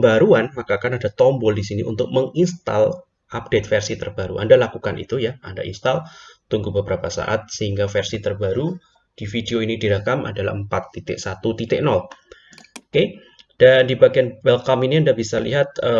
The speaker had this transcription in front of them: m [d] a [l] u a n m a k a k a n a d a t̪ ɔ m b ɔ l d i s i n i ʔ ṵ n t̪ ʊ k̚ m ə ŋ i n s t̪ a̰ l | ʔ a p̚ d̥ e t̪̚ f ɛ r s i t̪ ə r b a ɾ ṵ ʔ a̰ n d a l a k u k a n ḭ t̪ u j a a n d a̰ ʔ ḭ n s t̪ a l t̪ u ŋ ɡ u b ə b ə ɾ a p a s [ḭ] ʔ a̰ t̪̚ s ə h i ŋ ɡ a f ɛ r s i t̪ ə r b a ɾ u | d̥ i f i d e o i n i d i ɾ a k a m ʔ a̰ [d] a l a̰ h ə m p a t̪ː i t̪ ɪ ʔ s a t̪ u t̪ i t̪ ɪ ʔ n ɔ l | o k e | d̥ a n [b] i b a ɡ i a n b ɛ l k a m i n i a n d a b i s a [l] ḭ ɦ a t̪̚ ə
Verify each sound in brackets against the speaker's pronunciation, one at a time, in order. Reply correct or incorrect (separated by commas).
incorrect, incorrect, incorrect, correct, incorrect, correct